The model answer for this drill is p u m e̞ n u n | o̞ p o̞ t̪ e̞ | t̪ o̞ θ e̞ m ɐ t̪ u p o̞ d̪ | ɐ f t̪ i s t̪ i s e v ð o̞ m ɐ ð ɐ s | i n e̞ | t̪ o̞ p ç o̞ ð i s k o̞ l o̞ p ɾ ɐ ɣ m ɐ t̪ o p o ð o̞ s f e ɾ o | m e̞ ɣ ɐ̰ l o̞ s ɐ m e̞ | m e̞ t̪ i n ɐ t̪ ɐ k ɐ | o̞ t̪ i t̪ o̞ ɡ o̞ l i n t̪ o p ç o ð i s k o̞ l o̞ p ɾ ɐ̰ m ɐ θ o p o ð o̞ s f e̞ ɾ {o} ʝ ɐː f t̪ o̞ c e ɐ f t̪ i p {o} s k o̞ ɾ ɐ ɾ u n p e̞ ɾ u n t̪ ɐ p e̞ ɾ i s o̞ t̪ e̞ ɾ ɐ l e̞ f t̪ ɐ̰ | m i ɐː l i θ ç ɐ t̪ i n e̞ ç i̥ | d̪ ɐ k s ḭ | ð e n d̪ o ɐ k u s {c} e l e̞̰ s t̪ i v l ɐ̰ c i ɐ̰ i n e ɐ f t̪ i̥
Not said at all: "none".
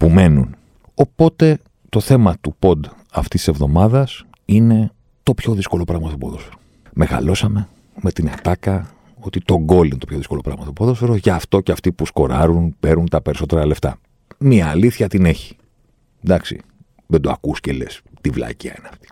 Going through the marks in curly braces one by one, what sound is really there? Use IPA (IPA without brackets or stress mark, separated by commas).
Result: o, u, c